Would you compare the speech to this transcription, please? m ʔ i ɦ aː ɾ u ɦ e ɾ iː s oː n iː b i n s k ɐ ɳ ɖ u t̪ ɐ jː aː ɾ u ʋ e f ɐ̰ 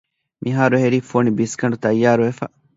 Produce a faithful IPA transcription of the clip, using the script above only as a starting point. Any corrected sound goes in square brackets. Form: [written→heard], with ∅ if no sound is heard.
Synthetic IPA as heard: m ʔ i ɦ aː ɾ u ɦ e ɾ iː [s→f] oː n [iː→i] b i [n→∅] s k ɐ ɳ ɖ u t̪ ɐ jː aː ɾ u ʋ e f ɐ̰